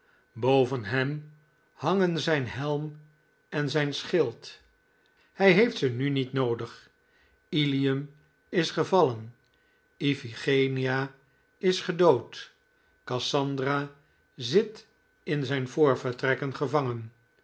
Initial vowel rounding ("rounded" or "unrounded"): rounded